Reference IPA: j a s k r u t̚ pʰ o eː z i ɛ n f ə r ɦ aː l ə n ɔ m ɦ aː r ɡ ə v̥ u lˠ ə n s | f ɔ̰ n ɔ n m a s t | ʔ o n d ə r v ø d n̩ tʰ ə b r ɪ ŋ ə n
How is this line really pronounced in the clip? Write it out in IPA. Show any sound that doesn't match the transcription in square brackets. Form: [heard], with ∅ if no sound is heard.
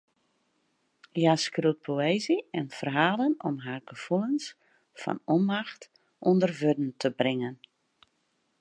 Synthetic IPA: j a s k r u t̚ pʰ o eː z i ɛ n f ə r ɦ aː l ə n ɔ m ɦ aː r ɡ ə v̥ u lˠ ə n s | f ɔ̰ n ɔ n m a [x] t | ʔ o n d ə r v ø d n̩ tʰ ə b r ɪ ŋ ə n